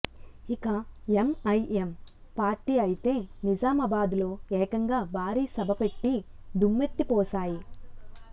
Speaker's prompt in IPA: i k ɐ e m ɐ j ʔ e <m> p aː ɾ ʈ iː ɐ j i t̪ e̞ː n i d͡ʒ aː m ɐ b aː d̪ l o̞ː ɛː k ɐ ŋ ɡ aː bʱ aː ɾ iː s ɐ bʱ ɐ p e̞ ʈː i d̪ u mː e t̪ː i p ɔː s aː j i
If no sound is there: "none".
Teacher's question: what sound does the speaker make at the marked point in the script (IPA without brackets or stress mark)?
m